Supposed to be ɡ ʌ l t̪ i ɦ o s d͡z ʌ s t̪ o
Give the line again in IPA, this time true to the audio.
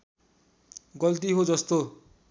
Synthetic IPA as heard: ɡ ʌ l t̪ i ɦ o d͡z ʌ s t̪ o